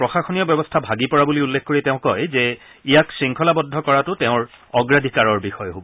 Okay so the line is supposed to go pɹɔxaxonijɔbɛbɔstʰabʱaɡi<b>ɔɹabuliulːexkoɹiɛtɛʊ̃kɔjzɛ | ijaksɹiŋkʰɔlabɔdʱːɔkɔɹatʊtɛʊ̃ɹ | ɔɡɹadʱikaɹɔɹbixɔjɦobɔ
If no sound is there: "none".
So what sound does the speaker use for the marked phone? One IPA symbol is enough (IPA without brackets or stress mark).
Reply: p